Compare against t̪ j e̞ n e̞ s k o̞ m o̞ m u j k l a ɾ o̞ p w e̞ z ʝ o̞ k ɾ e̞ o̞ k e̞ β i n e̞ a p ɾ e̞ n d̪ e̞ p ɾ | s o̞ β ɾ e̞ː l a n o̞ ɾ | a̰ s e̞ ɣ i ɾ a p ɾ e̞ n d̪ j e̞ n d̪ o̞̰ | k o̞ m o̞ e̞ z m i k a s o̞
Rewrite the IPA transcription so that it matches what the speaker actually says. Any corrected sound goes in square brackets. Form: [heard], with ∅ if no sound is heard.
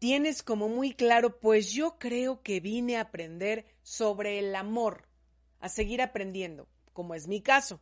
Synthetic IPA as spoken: t̪ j e̞ n e̞ s k o̞ m o̞ m u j k l a ɾ o̞ p w e̞ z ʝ o̞ k ɾ e̞ o̞ k e̞ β i n e̞ a p ɾ e̞ n d̪ e̞ [∅] ɾ | s o̞ β ɾ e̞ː l a [m] o̞ ɾ | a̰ s e̞ ɣ i ɾ a p ɾ e̞ n d̪ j e̞ n d̪ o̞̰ | k o̞ m o̞ e̞ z m i k a s o̞